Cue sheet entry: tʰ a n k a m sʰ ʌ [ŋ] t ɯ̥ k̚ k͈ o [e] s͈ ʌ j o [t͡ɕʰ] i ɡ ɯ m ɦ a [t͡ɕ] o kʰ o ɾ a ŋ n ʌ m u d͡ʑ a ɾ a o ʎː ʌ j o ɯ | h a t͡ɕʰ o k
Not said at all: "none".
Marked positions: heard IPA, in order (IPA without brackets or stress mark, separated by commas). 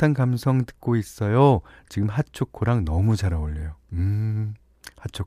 ŋ, i, t͡ɕ, t͡ɕʰ